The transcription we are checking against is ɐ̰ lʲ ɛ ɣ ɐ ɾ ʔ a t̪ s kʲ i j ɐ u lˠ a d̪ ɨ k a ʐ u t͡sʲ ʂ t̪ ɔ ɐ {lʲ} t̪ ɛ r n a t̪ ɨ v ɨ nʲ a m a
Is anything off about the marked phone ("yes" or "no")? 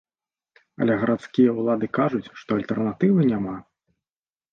no